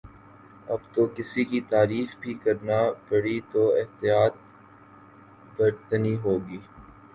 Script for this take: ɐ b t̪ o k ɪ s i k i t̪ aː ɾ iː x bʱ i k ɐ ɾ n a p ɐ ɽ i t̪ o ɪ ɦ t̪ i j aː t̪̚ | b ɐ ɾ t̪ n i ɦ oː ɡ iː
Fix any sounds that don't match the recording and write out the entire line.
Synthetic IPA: ɐ b t̪ o k ɪ s i k i t̪ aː ɾ iː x bʱ i k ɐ ɾ n a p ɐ ɽ i t̪ o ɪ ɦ t̪ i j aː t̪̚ | b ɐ ɾ t̪ n i ɦ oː ɡ iː